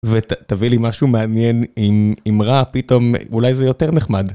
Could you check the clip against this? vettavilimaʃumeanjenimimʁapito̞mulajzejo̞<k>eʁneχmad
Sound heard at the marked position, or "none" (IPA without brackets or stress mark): t